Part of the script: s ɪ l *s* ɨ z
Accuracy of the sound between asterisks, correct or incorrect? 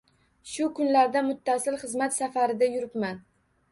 incorrect